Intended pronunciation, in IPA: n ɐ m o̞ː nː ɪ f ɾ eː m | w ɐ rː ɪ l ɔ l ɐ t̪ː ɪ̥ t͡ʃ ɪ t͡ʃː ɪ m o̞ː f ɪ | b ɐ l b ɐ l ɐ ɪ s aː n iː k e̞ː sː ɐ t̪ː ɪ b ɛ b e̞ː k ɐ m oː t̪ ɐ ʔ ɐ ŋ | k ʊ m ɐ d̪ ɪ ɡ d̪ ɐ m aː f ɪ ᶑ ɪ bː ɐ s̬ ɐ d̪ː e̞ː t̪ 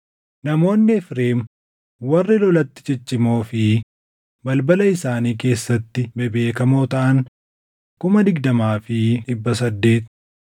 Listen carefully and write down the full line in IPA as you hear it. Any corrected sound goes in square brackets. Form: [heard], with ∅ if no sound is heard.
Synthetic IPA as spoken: n ɐ m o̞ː nː ɪ f ɾ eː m | w ɐ rː ɪ l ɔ l ɐ t̪ː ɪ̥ t͡ʃ ɪ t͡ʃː ɪ m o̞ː f ɪ | b ɐ l b ɐ l ɐ ɪ s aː n iː k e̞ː sː ɐ t̪ː ɪ b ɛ b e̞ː k ɐ m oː t̪ ɐ ʔ ɐ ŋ | k ʊ m ɐ d̪ ɪ ɡ d̪ ɐ m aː f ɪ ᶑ ɪ bː ɐ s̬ ɐ d̪ː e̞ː t̪

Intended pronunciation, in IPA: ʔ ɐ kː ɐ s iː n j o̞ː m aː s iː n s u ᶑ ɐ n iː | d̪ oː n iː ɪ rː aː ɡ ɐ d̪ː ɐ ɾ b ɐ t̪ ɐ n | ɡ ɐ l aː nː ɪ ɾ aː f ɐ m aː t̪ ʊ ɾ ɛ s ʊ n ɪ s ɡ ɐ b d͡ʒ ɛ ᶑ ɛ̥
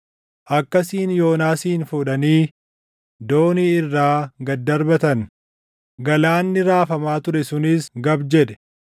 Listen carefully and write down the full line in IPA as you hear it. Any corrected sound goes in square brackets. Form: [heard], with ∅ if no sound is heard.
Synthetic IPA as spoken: ʔ ɐ kː ɐ s iː n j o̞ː [n] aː s iː n [f] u ᶑ ɐ n iː | d̪ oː n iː ɪ rː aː ɡ ɐ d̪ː ɐ ɾ b ɐ t̪ ɐ n | ɡ ɐ l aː nː ɪ ɾ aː f ɐ m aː t̪ ʊ ɾ ɛ s ʊ n ɪ s ɡ ɐ b d͡ʒ ɛ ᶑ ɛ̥

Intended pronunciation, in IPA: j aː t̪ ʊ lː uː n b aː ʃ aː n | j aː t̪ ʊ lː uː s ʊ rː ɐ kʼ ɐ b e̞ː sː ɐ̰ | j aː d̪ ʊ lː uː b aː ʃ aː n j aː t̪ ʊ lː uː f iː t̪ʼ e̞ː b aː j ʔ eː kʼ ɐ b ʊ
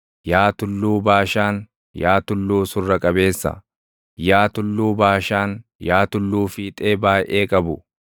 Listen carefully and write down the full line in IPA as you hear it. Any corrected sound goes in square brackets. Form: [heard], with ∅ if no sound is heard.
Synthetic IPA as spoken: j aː t̪ ʊ lː uː [∅] b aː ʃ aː n | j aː t̪ ʊ lː uː s ʊ rː ɐ kʼ ɐ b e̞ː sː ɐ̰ | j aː [t̪] ʊ lː uː b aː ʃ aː n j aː t̪ ʊ lː uː f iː t̪ʼ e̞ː b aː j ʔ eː kʼ ɐ b ʊ

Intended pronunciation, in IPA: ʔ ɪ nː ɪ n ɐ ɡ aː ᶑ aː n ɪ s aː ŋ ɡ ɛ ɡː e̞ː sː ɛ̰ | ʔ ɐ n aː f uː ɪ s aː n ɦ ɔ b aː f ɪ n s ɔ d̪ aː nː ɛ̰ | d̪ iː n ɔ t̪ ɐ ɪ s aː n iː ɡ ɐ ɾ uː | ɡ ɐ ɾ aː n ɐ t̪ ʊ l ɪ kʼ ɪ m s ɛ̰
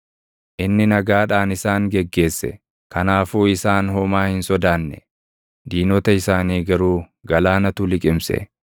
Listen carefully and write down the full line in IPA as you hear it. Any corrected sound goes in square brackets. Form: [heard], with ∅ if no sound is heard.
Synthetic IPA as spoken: ʔ ɪ nː ɪ n ɐ ɡ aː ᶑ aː n ɪ s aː ŋ ɡ ɛ ɡː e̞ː sː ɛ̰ | [k] ɐ n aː f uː ɪ s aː n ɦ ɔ [m] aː [h] ɪ n s ɔ d̪ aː nː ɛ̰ | d̪ iː n ɔ t̪ ɐ ɪ s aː n iː ɡ ɐ ɾ uː | ɡ ɐ [l] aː n ɐ t̪ ʊ l ɪ kʼ ɪ m s ɛ̰

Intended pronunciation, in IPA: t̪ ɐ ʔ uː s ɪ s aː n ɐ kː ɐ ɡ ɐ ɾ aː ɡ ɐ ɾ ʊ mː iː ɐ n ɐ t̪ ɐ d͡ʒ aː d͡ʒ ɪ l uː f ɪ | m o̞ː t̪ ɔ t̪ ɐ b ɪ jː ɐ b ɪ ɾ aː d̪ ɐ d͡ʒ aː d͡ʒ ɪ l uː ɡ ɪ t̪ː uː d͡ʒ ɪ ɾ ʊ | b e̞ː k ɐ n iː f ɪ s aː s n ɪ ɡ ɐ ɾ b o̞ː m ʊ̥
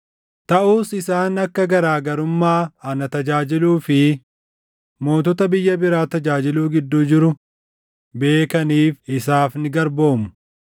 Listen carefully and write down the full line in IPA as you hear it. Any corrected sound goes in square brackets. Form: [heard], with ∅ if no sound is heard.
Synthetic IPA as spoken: t̪ ɐ ʔ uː s ɪ s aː n ɐ kː ɐ ɡ ɐ ɾ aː ɡ ɐ ɾ ʊ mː [aː] ɐ n ɐ t̪ ɐ d͡ʒ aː d͡ʒ ɪ l uː f ɪ | m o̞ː t̪ ɔ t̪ ɐ b ɪ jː ɐ b ɪ ɾ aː [t̪] ɐ d͡ʒ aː d͡ʒ ɪ l uː ɡ ɪ [d̪ː] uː d͡ʒ ɪ ɾ ʊ | b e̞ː k ɐ n iː f ɪ s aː [f] n ɪ ɡ ɐ ɾ b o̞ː m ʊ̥

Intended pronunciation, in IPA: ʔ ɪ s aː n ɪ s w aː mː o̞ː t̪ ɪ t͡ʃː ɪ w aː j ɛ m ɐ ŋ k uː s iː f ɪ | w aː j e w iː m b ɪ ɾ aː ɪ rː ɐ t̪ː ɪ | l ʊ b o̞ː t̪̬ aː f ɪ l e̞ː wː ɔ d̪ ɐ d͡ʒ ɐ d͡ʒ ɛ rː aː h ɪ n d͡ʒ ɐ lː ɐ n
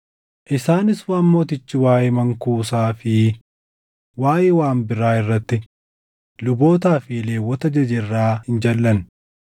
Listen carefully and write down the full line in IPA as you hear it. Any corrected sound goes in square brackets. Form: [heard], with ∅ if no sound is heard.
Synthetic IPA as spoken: ʔ ɪ s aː n ɪ s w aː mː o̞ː t̪ ɪ t͡ʃː ɪ w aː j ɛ m ɐ ŋ k uː s [aː] f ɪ | w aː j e w [aː] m b ɪ ɾ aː ɪ rː ɐ t̪ː ɪ | l ʊ b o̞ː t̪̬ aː f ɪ l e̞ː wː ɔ [t̪] ɐ d͡ʒ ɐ d͡ʒ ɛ rː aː h ɪ n d͡ʒ ɐ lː ɐ n

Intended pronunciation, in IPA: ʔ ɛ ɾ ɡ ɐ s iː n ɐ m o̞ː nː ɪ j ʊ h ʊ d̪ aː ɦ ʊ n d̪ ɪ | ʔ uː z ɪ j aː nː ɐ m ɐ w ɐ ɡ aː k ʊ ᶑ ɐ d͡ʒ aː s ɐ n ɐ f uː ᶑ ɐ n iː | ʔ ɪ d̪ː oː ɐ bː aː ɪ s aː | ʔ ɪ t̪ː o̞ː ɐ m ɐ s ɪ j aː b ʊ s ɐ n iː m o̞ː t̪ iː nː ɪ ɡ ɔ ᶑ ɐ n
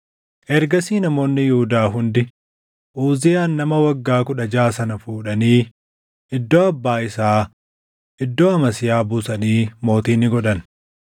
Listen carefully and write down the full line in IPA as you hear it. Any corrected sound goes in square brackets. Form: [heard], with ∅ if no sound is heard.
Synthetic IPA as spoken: ʔ ɛ ɾ ɡ ɐ s iː n ɐ m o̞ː nː ɪ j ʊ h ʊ d̪ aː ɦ ʊ n d̪ ɪ | ʔ uː z ɪ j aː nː ɐ m ɐ w ɐ [ɡː] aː k ʊ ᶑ ɐ d͡ʒ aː s ɐ n ɐ f uː ᶑ ɐ n iː | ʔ ɪ d̪ː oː ɐ bː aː ɪ s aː | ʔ ɪ [d̪ː] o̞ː ɐ m ɐ s ɪ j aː b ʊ s ɐ n iː m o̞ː t̪ iː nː ɪ ɡ ɔ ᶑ ɐ n

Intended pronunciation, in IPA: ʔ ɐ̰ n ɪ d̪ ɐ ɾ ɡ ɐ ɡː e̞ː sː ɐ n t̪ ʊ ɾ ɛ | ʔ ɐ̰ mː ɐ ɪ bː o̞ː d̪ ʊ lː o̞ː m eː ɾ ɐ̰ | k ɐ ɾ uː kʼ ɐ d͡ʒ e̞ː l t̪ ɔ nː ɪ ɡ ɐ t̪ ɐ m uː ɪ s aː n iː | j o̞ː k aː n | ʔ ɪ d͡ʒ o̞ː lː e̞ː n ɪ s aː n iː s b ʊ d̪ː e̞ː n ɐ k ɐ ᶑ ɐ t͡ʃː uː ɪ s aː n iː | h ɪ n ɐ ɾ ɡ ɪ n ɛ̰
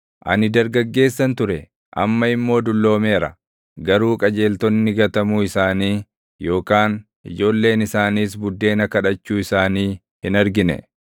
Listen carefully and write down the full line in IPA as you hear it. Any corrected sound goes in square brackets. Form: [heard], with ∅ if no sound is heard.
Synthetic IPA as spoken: ʔ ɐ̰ n ɪ d̪ ɐ ɾ ɡ ɐ ɡː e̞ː sː ɐ n t̪ ʊ ɾ ɛ | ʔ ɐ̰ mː ɐ ɪ [mː] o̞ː d̪ ʊ lː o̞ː m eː ɾ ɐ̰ | [ɡ] ɐ ɾ uː kʼ ɐ d͡ʒ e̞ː l t̪ ɔ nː ɪ ɡ ɐ t̪ ɐ m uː ɪ s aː n iː | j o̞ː k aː n | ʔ ɪ d͡ʒ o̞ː lː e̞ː n ɪ s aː n iː s b ʊ d̪ː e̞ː n ɐ k ɐ ᶑ ɐ t͡ʃː uː ɪ s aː n iː | h ɪ n ɐ ɾ ɡ ɪ n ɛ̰

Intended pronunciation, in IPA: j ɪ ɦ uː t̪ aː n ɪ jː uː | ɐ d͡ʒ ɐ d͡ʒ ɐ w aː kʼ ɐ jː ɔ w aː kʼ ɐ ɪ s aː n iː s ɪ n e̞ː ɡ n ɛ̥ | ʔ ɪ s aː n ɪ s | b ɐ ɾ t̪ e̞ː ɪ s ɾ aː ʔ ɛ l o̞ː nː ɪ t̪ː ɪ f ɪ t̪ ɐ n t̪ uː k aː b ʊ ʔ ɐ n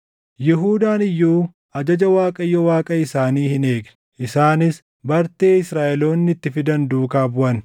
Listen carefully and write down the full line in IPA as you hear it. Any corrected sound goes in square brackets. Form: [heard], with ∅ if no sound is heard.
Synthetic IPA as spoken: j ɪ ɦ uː [d̪] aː n ɪ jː uː | ɐ d͡ʒ ɐ d͡ʒ ɐ w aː kʼ ɐ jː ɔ w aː kʼ ɐ ɪ s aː n iː [h] ɪ n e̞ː ɡ n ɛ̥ | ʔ ɪ s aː n ɪ s | b ɐ ɾ t̪ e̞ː ɪ s ɾ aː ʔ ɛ l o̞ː nː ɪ t̪ː ɪ f ɪ [d̪] ɐ n [d̪] uː k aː b ʊ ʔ ɐ n

